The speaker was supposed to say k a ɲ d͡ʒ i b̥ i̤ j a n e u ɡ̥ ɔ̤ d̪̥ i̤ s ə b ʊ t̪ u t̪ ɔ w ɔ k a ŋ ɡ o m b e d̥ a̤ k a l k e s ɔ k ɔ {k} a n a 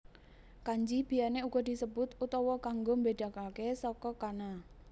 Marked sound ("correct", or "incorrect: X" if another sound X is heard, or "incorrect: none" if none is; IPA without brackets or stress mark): correct